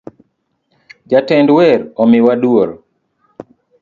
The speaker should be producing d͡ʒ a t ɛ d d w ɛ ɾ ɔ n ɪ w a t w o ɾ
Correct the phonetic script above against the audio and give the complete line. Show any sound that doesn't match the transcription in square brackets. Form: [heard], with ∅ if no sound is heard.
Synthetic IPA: d͡ʒ a t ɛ [n] d w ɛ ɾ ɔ [m] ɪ w a [d] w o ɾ